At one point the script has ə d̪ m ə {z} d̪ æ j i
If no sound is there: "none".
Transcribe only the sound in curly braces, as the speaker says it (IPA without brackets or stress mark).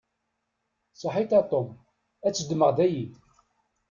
ʁ